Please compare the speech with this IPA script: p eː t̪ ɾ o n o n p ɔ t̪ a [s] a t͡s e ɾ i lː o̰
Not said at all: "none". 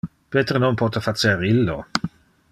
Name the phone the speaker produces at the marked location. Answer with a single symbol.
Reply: f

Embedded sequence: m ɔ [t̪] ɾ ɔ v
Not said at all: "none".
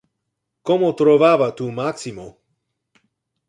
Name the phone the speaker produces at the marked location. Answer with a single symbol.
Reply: t̪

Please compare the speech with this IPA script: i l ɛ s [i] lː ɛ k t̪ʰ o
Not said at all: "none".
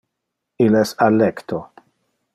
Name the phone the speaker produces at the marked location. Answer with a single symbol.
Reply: a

